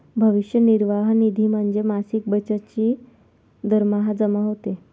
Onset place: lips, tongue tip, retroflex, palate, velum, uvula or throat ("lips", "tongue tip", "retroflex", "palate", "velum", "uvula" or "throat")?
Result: lips